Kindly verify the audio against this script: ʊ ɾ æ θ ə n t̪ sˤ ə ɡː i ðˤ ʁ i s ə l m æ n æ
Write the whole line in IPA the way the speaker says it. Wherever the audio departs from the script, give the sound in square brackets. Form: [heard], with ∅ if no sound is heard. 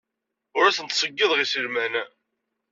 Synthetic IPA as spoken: ʊ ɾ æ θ ə n t̪ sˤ ə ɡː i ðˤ ʁ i s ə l m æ n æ